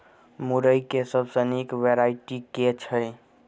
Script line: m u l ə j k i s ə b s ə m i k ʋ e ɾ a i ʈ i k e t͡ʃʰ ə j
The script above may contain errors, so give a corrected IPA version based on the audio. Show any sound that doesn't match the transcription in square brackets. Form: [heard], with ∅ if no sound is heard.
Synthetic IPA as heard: m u [ɾ] ə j k [e] s ə b s ə [n] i k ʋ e ɾ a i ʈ i k e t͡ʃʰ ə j